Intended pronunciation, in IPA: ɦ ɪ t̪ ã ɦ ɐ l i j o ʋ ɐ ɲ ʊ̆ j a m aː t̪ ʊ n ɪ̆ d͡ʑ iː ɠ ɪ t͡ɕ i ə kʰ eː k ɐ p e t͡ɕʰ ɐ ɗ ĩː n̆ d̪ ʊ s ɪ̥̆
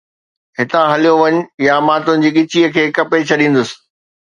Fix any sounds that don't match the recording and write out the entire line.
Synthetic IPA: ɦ ɪ t̪ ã ɦ ɐ l i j o ʋ ɐ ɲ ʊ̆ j a m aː t̪ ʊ n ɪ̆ d͡ʑ iː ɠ ɪ t͡ɕ i ə kʰ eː k ɐ p e t͡ɕʰ ɐ ɗ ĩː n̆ d̪ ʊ s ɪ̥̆